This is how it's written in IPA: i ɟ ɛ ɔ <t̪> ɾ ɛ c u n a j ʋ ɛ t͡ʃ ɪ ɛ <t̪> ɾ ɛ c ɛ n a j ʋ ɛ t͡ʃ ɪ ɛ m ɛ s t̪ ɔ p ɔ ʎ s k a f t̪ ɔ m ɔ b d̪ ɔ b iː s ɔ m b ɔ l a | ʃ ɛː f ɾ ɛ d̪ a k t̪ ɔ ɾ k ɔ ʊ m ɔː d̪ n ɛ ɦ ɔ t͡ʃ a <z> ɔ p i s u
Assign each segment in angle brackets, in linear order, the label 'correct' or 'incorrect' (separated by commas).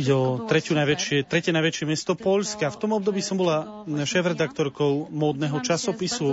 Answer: correct, correct, incorrect